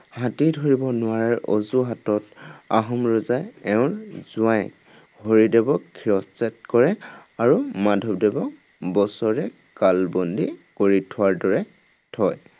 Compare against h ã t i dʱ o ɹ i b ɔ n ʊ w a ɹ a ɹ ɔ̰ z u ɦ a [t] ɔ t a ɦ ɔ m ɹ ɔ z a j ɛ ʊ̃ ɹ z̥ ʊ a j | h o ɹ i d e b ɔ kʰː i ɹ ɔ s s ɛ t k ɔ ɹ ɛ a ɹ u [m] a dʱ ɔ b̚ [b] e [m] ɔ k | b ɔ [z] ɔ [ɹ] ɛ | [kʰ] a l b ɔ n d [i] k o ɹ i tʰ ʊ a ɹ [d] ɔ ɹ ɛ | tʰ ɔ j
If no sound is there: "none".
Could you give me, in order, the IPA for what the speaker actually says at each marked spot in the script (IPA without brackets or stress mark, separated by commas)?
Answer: t, m, d, b, s, ɹ, k, i, d